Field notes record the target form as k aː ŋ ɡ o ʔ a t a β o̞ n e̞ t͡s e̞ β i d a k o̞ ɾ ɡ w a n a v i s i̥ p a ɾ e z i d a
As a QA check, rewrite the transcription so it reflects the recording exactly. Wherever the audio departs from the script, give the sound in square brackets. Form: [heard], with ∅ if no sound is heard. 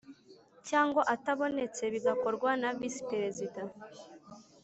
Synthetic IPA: [c] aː ŋ ɡ o ʔ a t a β o̞ n e̞ t͡s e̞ β i [ɡ] a k o̞ ɾ ɡ w a n a v i s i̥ p [e] ɾ e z i d a